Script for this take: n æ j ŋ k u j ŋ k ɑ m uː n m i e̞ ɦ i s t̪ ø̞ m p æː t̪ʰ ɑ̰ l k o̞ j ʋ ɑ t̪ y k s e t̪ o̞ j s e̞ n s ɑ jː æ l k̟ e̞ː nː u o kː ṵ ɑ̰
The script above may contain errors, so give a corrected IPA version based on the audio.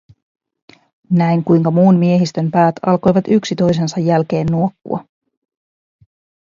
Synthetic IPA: n æ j ŋ k u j ŋ k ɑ m uː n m i e̞ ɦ i s t̪ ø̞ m p æː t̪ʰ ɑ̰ l k o̞ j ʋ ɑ t̪ y k s i t̪ o̞ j s e̞ n s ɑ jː æ l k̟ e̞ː nː u o kː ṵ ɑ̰